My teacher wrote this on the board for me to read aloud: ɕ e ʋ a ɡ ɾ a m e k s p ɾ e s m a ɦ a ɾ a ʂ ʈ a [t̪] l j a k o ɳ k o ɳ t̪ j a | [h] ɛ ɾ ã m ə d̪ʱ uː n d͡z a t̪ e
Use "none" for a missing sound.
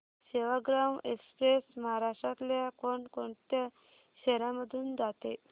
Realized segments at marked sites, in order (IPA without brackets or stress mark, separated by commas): t̪, ɕ